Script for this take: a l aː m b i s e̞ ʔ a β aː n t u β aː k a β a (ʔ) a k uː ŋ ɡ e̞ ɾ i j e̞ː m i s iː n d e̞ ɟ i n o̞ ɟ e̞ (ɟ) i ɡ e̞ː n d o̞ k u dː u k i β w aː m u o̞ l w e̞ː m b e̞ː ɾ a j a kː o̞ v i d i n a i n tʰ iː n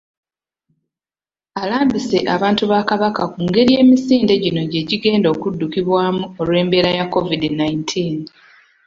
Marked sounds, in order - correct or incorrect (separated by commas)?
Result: incorrect, correct